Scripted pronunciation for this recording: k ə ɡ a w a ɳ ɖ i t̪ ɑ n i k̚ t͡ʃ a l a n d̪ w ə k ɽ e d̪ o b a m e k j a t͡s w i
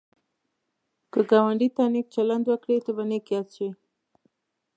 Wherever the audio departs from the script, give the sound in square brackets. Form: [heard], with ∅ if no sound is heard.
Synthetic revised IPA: k ə ɡ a w a ɳ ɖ i t̪ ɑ n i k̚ t͡ʃ a l a n d̪ w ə k ɽ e [t̪] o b a [n] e k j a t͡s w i

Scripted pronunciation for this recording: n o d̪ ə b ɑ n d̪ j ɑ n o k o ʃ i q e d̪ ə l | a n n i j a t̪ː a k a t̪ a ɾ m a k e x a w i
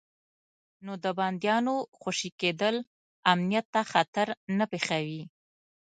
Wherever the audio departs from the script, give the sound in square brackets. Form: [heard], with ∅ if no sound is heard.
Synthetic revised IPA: n o d̪ ə b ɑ n d̪ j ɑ n o [x] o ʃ i [k] e d̪ ə l | a [m] n i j a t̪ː a [x] a t̪ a ɾ [n] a [p] e x a w i

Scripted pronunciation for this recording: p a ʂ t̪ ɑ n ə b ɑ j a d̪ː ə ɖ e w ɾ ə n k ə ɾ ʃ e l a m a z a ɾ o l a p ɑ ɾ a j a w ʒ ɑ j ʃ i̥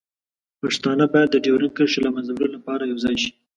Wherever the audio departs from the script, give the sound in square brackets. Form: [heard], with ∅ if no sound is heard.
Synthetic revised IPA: p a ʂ t̪ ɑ n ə b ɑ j a d̪ː ə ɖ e w ɾ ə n k ə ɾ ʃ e l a m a z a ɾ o l a p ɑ ɾ a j a w [z] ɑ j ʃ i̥

